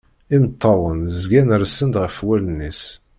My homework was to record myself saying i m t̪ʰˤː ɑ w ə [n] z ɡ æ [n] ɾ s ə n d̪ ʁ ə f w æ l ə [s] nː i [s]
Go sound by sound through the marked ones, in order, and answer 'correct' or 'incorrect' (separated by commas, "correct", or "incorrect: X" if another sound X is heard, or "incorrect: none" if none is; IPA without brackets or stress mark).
correct, correct, incorrect: none, correct